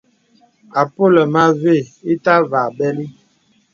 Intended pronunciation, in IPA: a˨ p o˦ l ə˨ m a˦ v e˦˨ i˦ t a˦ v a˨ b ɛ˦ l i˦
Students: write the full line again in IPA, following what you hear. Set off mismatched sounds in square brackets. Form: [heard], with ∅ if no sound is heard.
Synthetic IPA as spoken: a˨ p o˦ l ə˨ m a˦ v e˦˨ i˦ t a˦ v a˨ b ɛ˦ l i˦